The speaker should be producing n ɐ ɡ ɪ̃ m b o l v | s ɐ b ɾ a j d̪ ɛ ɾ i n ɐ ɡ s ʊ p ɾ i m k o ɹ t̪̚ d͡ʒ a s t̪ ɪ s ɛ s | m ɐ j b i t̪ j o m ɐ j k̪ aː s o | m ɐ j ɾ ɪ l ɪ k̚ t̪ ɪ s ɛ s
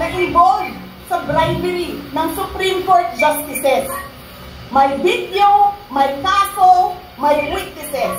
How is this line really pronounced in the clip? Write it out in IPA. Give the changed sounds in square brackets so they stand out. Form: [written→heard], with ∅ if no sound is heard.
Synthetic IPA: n ɐ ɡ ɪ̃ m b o l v | s ɐ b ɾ a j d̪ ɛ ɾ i n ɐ [ɡ→ŋ] s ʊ p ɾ i m k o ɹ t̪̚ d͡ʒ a s t̪ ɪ s ɛ s | m ɐ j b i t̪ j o m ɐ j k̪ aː s o | m ɐ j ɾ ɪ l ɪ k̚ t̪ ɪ s ɛ s

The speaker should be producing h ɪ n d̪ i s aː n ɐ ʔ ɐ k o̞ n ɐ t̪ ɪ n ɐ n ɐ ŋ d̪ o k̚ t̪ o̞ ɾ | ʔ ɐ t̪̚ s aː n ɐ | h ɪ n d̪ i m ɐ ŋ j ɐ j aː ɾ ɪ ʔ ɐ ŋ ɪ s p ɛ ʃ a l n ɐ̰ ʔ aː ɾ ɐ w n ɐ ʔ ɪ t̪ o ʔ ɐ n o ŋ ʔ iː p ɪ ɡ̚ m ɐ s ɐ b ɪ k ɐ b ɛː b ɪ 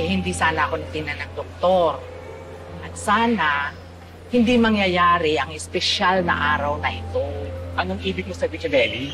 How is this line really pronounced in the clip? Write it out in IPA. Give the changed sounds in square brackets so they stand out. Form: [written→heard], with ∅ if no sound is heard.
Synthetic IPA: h ɪ n d̪ i s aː n ɐ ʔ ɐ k o̞ n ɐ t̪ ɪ n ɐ n ɐ ŋ d̪ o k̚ t̪ o̞ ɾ | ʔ ɐ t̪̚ s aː n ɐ | h ɪ n d̪ i m ɐ ŋ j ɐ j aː ɾ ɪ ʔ ɐ ŋ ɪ s p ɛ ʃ a l n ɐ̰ ʔ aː ɾ ɐ w n ɐ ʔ ɪ t̪ o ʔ ɐ n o ŋ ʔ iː [p→b] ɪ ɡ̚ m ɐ s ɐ b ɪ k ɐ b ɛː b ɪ

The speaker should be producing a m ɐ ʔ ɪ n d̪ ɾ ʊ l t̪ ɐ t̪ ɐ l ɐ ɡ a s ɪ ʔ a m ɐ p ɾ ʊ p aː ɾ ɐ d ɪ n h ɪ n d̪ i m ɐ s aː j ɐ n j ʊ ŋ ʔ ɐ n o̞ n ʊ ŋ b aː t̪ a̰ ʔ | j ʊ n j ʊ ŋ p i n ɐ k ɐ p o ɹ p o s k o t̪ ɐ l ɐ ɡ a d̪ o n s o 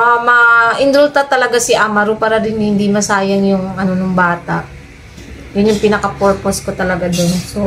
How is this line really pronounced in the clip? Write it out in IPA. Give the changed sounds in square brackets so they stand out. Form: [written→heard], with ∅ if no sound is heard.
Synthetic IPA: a m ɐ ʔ ɪ n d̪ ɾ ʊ l t̪ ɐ t̪ ɐ l ɐ ɡ a s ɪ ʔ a m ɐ [p→∅] ɾ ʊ p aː ɾ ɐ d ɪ n h ɪ n d̪ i m ɐ s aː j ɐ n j ʊ ŋ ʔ ɐ n o̞ n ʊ ŋ b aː t̪ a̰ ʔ | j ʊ n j ʊ ŋ p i n ɐ k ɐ p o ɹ p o s k o t̪ ɐ l ɐ ɡ a d̪ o n s o

